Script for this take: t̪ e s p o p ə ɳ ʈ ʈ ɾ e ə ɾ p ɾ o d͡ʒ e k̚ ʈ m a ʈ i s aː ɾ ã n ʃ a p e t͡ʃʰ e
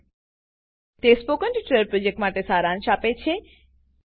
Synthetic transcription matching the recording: t̪ e s p o k ə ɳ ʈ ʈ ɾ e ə ɾ p ɾ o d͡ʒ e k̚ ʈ m a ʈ e s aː ɾ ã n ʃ a p e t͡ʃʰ e